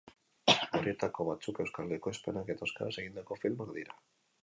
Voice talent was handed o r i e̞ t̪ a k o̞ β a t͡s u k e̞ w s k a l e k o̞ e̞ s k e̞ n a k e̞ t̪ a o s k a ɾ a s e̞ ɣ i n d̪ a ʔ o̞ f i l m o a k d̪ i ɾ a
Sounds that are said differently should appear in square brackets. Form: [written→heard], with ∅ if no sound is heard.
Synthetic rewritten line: o [r→ɾ] i e̞ t̪ a k o̞ β a t͡s u k e̞ w s k a l e k o̞ e̞ s [k→p] e̞ n a k e̞ t̪ a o s k a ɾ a s e̞ ɣ i n d̪ a [ʔ→k] o̞ f i l m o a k d̪ i ɾ a